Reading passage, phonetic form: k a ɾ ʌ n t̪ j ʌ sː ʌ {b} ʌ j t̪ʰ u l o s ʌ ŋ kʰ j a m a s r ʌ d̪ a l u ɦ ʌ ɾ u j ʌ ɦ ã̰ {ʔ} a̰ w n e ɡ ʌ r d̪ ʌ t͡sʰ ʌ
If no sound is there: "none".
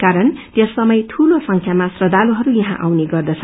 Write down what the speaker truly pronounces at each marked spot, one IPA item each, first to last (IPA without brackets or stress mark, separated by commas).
m, ʔ